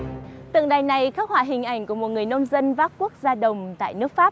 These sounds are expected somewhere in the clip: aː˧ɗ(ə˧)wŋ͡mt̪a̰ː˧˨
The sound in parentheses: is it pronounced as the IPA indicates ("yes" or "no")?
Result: no